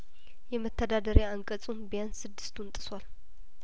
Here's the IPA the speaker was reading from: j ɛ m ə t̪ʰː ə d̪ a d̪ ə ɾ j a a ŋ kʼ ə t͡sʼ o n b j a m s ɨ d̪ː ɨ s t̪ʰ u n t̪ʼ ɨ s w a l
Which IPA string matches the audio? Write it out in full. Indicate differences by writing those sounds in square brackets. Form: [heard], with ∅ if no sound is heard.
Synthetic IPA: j ɛ m ə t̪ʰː ə d̪ a d̪ ə ɾ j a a ŋ kʼ ə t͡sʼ [u] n b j a [n] s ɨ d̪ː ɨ s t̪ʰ u n t̪ʼ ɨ s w a l